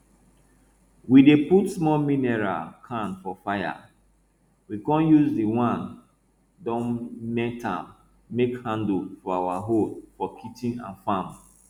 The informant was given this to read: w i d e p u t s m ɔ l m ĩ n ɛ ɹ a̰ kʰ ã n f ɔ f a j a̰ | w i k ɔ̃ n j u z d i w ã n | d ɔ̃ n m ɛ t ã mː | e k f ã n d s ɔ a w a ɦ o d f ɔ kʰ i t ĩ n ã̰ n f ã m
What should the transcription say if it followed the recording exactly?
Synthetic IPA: w i d e p u t s m ɔ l m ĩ n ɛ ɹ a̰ kʰ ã n f ɔ f a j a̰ | w i k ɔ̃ n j u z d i w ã n | d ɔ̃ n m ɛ t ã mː | e k h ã n d f ɔ a w a ɦ o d f ɔ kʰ i t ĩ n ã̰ n f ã m